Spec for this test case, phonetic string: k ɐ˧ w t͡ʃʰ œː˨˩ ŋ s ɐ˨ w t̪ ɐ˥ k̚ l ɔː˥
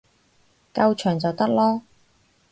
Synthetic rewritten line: k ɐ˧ w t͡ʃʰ œː˨˩ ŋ t͡s ɐ˨ w t̪ ɐ˥ k̚ l ɔː˥